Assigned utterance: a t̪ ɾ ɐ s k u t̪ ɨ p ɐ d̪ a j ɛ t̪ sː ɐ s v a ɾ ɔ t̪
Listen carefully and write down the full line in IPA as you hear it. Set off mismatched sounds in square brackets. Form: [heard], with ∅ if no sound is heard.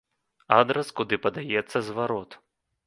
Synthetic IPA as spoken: a [d̪] ɾ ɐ s k u [d̪] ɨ p ɐ d̪ a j ɛ t̪ sː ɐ [z] v a ɾ ɔ t̪

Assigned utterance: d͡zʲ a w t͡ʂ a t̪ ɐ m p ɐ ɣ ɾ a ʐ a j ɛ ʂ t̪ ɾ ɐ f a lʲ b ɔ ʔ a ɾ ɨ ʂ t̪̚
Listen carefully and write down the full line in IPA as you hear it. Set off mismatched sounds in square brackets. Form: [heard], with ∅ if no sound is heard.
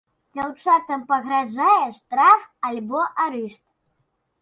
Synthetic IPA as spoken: d͡zʲ a w t͡ʂ a t̪ ɐ m p ɐ ɣ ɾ a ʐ a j ɛ ʂ t̪ ɾ [a] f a lʲ b ɔ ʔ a ɾ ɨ ʂ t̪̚

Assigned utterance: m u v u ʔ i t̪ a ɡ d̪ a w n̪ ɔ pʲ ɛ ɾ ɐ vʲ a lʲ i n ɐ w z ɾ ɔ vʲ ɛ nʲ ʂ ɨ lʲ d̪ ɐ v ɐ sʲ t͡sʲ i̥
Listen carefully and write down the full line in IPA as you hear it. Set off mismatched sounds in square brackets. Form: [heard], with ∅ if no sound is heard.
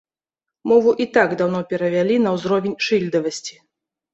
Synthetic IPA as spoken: m [ɔ] v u ʔ i t̪ a ɡ d̪ a w n̪ ɔ pʲ ɛ ɾ ɐ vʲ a lʲ i n ɐ w z ɾ ɔ vʲ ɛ nʲ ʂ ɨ lʲ d̪ ɐ v ɐ sʲ t͡sʲ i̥

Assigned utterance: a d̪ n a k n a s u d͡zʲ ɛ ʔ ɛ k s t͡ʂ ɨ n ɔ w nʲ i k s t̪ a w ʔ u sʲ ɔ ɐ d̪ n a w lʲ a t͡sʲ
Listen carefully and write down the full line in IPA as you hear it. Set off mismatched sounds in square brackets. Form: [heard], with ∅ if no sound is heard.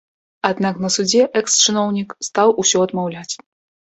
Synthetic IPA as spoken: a d̪ n a k n [ɐ] s u d͡zʲ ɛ ʔ ɛ k s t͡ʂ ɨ n ɔ w nʲ i k s t̪ a w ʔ u sʲ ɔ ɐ d̪ [m] a w lʲ a t͡sʲ

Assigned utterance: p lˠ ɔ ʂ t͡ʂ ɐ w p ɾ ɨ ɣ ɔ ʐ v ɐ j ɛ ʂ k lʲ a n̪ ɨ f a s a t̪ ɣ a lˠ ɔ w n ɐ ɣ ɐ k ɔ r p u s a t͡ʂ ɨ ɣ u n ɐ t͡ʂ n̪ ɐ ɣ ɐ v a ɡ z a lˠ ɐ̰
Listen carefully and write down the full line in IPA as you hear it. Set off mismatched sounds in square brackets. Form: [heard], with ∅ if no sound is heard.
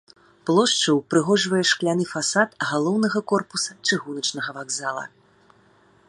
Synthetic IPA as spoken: p lˠ ɔ ʂ t͡ʂ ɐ w p ɾ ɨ ɣ ɔ ʐ v ɐ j ɛ ʂ k lʲ a n̪ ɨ f a s a t̪ ɣ a lˠ ɔ w n ɐ ɣ ɐ k ɔ r p u s [ɐ] t͡ʂ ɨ ɣ u n ɐ t͡ʂ n̪ ɐ ɣ ɐ v a ɡ z a lˠ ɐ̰

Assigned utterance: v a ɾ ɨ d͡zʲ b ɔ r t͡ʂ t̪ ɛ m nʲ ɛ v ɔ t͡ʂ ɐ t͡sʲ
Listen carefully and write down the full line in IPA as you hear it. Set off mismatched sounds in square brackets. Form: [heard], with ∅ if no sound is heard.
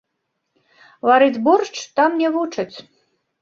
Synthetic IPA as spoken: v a ɾ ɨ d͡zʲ b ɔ r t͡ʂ t̪ [a] m nʲ ɛ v [u] t͡ʂ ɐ t͡sʲ

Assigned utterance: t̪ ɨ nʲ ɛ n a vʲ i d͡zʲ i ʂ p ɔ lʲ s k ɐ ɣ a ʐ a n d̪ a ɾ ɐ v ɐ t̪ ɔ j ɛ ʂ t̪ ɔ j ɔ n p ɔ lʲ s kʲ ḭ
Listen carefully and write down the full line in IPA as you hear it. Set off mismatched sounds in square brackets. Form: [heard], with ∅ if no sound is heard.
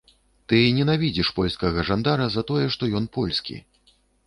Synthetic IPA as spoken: t̪ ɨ nʲ ɛ n a vʲ i d͡zʲ i ʂ p ɔ lʲ s k ɐ ɣ [ɐ] ʐ a n d̪ a ɾ ɐ [z] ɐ t̪ ɔ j ɛ ʂ t̪ ɔ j ɔ n p ɔ lʲ s kʲ ḭ

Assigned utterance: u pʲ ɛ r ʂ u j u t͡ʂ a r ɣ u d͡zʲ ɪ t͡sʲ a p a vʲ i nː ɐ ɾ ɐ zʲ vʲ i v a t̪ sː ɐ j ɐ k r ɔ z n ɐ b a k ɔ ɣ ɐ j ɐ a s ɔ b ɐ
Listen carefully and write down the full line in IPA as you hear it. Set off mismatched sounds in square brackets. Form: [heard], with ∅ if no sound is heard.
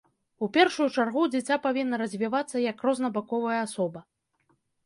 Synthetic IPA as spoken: u pʲ ɛ r ʂ u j u t͡ʂ a r ɣ u d͡zʲ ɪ t͡sʲ a p a vʲ i nː ɐ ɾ ɐ zʲ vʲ i v a t̪ sː ɐ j ɐ k r ɔ z n ɐ b a k ɔ [v] ɐ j ɐ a s ɔ b ɐ

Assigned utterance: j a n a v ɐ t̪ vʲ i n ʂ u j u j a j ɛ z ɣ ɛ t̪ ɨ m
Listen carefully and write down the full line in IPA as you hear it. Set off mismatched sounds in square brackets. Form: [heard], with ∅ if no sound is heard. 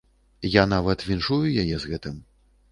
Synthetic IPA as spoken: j a n a v ɐ t̪ vʲ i n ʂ u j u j a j ɛ z ɣ ɛ t̪ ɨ m

